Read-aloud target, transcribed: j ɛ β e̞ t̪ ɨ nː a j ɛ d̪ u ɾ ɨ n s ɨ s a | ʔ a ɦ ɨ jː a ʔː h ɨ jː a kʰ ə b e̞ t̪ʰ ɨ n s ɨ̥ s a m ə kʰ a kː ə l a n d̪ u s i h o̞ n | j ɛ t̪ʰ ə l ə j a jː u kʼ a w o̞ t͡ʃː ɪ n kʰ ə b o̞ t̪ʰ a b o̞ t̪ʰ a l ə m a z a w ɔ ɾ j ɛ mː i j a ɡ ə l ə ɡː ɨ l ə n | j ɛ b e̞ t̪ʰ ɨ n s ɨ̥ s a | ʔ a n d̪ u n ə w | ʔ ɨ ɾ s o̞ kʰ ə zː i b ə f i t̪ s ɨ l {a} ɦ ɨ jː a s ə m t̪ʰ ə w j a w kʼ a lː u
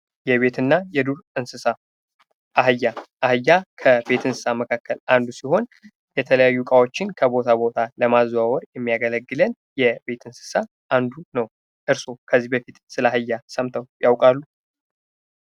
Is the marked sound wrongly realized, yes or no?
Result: no